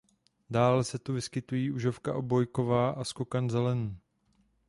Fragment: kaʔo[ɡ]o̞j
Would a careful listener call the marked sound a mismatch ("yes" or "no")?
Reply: yes